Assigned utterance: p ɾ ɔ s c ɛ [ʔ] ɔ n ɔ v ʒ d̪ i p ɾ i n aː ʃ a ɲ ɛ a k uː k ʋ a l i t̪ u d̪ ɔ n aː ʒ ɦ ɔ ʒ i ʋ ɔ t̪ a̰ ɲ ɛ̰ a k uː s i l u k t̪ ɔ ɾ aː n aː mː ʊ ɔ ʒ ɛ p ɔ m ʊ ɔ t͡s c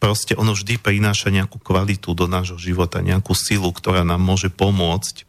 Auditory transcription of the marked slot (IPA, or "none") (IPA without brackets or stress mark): ʔ